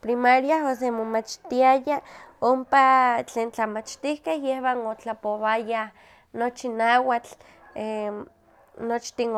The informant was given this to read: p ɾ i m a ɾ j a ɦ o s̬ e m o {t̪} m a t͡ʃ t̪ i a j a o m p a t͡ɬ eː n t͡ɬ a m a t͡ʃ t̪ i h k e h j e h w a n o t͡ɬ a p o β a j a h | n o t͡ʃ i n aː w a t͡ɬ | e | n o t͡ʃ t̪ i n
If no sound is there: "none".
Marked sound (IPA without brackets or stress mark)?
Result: none